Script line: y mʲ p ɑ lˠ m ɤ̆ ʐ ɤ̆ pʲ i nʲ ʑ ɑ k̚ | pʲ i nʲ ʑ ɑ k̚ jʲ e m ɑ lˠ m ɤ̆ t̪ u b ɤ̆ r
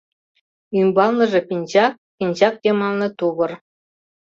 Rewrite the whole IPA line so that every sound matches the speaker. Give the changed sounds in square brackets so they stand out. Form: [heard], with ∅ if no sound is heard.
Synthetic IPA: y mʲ [b] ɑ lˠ [n] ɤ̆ ʐ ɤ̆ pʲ i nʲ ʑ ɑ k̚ | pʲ i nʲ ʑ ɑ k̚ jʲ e m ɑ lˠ [n] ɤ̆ t̪ u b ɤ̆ r